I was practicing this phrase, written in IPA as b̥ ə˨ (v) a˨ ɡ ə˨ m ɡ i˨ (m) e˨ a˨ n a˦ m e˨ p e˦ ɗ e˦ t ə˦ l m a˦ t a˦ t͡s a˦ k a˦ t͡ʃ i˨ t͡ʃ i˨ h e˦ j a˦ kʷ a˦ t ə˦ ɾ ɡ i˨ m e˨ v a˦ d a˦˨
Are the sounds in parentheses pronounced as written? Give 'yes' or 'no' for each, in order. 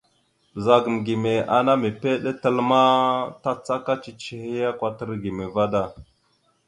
no, yes

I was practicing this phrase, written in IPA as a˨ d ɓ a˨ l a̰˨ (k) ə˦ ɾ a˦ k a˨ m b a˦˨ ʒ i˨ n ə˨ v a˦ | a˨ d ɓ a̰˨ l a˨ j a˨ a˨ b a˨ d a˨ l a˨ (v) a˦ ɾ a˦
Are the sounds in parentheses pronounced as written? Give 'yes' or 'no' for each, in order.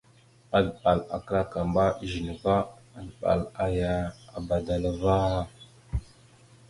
yes, yes

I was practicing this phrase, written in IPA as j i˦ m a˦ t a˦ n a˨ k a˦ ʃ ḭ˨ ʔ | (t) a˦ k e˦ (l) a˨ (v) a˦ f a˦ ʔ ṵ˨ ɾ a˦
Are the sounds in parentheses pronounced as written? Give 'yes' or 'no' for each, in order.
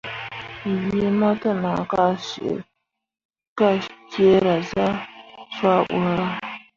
no, no, no

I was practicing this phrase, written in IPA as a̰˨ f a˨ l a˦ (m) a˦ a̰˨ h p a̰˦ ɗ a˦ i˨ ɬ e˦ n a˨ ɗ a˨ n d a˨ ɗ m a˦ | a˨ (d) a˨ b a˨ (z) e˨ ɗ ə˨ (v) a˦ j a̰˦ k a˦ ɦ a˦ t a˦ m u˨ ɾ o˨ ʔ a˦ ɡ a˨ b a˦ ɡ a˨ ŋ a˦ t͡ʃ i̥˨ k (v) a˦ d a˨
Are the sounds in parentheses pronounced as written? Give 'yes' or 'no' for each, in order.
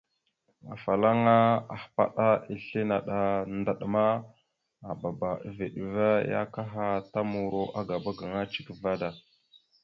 no, no, no, yes, yes

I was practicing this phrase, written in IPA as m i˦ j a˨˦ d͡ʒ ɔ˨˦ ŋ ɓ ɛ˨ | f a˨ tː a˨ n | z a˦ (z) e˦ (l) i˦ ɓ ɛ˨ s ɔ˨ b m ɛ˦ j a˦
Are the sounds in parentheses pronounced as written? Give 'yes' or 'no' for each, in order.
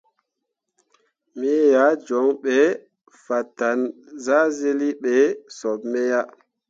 yes, yes

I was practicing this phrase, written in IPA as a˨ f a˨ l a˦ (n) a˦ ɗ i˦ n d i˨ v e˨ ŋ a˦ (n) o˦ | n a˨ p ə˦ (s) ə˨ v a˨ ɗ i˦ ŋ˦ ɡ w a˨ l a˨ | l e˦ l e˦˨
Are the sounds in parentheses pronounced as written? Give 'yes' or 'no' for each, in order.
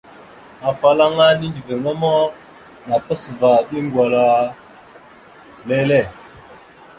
no, no, yes

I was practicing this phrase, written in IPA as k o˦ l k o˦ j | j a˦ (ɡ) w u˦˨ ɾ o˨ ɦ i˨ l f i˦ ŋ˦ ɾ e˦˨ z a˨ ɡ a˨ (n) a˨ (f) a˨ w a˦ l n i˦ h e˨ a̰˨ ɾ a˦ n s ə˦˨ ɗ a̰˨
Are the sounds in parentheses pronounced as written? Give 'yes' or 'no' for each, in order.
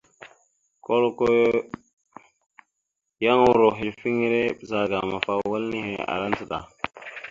no, no, yes

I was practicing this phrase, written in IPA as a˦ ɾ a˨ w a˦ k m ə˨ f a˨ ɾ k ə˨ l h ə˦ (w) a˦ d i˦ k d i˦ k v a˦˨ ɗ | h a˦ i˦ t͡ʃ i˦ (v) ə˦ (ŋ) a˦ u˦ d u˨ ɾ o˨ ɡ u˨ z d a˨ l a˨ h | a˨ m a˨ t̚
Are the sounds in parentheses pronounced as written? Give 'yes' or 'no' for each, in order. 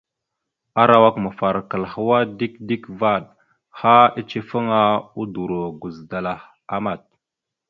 yes, no, yes

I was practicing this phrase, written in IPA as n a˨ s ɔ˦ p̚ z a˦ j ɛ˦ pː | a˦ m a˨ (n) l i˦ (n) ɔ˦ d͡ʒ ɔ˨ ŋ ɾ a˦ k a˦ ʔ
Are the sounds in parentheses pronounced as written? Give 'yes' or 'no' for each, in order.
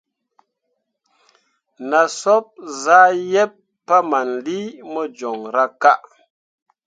yes, no

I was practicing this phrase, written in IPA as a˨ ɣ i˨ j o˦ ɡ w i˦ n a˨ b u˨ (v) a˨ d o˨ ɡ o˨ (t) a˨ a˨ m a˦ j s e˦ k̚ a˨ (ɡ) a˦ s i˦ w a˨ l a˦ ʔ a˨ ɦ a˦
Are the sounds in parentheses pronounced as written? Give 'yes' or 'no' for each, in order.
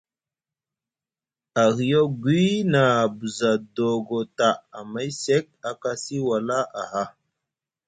no, yes, no

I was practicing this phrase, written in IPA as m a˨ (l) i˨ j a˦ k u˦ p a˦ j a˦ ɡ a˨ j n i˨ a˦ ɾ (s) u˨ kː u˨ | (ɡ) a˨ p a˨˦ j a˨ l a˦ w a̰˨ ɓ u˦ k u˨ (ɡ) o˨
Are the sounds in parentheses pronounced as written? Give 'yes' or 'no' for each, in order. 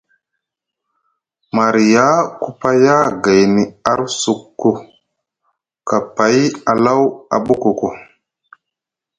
no, yes, no, no

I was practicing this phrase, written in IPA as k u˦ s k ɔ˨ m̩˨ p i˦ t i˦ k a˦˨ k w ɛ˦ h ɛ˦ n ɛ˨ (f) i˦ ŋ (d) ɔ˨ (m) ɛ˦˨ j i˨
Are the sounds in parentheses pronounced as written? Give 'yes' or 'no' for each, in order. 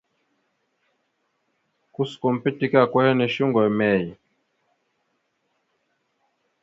no, no, yes

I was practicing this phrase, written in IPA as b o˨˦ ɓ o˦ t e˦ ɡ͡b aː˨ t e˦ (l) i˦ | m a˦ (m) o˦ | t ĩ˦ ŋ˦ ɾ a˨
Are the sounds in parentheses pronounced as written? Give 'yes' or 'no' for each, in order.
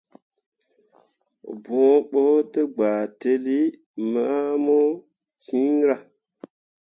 yes, yes

